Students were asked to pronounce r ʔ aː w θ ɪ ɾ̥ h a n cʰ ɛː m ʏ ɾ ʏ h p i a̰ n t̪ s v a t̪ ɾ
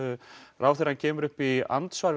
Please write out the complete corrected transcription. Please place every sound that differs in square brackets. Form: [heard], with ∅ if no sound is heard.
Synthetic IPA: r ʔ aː w θ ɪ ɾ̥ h a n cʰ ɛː m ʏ ɾ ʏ h p i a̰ n t̪ s v a [∅] ɾ